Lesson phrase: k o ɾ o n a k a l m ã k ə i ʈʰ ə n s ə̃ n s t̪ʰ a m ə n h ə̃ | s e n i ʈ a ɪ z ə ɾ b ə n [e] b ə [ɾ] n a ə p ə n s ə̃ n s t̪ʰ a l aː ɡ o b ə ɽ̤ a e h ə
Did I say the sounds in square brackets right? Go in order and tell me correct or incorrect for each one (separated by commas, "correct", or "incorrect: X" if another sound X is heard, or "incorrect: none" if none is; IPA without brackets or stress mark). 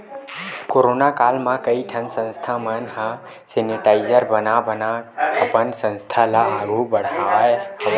incorrect: a, incorrect: none